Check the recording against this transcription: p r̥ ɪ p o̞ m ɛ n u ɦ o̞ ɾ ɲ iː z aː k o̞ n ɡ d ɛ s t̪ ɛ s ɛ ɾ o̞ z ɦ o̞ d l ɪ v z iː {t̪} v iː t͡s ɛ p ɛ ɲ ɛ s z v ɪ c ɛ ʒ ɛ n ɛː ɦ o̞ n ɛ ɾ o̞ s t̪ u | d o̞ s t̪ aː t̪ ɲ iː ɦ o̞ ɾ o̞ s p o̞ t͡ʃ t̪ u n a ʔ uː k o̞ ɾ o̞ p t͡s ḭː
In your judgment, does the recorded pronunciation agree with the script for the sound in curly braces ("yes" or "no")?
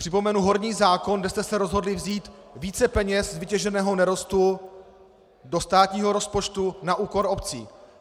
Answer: yes